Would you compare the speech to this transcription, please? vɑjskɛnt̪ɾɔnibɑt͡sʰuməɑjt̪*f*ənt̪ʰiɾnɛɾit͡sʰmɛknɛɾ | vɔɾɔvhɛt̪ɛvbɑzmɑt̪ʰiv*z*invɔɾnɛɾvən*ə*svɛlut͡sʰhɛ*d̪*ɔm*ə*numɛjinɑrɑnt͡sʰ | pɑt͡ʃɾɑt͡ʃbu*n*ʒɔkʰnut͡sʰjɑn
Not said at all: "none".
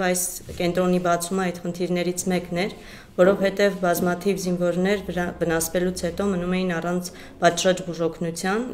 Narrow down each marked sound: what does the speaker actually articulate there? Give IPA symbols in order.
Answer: χ, z, ɑ, t̪, ə, none

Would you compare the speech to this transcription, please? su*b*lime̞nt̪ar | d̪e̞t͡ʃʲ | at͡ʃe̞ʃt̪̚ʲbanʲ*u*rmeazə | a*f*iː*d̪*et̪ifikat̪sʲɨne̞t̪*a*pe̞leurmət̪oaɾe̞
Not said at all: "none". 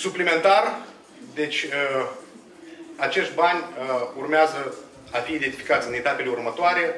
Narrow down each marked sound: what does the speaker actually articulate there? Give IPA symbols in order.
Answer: p, u, f, d̪, a

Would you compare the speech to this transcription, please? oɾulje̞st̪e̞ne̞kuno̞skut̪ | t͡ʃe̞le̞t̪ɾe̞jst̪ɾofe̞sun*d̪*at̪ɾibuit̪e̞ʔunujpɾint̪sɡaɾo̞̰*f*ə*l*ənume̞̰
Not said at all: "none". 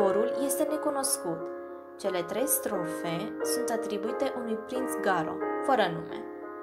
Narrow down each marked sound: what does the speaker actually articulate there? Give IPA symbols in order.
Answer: t̪, f, ɾ

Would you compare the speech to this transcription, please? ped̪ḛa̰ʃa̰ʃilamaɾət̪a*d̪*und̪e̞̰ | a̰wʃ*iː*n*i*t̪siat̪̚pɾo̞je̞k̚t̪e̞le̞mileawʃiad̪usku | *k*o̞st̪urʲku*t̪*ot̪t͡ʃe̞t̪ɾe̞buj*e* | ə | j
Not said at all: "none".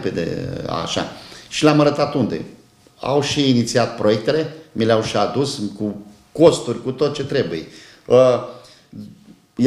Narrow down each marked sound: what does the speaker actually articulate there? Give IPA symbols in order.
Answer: t̪, iː, i, k, t̪, e

